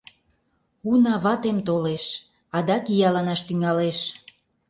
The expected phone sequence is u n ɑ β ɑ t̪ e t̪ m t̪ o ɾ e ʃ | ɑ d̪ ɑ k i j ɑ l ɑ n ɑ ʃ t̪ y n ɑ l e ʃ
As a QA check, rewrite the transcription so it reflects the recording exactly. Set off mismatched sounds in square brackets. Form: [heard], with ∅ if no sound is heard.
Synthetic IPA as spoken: u n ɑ β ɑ t̪ e [∅] m t̪ o [l] e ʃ | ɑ d̪ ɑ k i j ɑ l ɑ n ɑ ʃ t̪ y [ŋ] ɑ l e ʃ